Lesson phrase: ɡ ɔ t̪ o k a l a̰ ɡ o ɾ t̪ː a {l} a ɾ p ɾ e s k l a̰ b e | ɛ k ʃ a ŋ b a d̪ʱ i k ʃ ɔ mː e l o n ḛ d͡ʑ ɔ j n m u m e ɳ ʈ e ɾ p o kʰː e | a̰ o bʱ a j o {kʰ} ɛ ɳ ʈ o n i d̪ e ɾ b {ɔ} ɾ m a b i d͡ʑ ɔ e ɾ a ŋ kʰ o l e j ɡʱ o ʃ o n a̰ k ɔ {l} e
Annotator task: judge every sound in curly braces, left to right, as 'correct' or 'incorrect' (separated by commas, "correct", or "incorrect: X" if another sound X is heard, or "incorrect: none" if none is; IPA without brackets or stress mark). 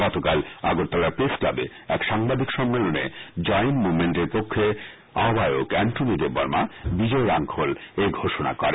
correct, incorrect: k, correct, incorrect: ɾ